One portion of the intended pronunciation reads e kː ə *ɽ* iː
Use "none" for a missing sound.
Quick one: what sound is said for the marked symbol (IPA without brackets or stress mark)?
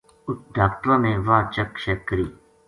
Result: ɾ